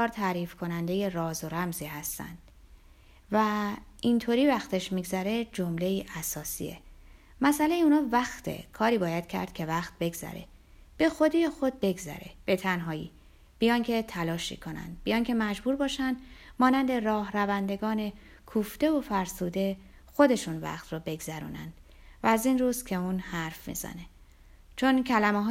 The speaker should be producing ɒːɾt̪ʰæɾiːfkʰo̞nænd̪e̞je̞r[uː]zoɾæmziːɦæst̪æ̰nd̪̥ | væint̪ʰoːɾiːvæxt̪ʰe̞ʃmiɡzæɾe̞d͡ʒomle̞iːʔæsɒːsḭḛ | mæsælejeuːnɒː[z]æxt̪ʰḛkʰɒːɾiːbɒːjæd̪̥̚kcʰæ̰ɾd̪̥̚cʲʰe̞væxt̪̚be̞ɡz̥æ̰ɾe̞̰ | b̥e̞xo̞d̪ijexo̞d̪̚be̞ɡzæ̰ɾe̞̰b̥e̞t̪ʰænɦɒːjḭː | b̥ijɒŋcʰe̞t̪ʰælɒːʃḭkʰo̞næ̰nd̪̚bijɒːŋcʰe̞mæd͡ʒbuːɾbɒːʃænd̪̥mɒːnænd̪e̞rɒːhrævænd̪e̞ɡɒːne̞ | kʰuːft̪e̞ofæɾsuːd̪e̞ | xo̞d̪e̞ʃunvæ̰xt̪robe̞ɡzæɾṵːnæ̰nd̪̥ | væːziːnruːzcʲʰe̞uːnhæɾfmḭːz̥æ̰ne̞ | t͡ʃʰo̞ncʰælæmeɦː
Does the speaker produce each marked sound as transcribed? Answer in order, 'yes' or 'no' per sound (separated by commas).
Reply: no, no